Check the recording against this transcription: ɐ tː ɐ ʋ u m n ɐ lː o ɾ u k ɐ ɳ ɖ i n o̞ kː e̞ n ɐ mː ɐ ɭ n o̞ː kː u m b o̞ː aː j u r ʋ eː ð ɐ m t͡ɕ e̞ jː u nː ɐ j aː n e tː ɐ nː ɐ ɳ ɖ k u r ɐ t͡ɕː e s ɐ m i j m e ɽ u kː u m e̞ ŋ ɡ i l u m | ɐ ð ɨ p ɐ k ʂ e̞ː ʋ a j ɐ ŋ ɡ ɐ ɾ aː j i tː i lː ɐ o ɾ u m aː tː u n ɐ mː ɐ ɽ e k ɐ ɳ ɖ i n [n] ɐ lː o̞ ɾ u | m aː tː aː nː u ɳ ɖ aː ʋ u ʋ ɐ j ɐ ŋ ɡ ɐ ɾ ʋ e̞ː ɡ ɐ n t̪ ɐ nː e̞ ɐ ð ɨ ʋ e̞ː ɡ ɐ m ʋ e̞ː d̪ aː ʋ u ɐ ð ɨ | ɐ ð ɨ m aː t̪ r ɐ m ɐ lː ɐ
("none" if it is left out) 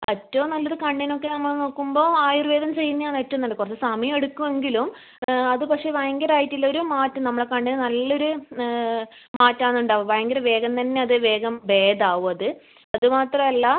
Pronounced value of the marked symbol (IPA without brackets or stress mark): n